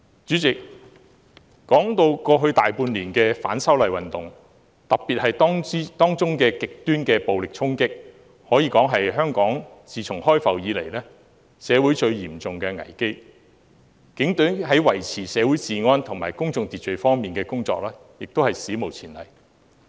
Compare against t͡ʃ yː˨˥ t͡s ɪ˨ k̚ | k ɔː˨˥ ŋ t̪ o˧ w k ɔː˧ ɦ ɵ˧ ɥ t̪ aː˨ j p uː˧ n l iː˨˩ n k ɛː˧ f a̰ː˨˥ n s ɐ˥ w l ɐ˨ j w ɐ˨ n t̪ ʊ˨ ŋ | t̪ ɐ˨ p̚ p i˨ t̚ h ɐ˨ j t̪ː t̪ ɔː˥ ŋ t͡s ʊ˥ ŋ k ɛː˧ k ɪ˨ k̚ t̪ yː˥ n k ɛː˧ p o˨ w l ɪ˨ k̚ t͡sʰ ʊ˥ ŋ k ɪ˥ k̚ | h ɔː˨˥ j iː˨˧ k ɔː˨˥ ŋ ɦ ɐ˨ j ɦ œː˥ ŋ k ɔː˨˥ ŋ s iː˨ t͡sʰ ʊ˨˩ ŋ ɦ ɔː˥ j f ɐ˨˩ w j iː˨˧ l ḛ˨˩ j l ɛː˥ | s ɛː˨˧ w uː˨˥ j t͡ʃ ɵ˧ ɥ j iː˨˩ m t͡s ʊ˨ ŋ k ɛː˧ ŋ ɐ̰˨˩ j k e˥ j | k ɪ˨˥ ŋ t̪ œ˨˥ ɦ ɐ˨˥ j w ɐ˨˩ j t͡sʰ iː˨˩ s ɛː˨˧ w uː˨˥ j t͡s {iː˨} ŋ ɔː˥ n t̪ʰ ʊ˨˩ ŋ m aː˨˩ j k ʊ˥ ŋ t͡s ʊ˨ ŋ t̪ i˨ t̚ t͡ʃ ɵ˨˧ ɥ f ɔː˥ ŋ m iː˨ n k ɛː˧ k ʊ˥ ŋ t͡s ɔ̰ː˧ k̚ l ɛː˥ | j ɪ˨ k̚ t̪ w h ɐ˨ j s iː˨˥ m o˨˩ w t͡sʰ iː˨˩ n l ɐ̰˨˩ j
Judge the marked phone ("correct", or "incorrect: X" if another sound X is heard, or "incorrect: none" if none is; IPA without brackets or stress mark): correct